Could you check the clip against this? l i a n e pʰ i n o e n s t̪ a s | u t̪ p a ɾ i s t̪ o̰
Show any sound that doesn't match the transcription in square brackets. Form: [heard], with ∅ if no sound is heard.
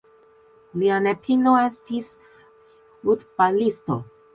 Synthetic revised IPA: l i a n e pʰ i n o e [∅] s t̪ [i] s | u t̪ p a [l] i s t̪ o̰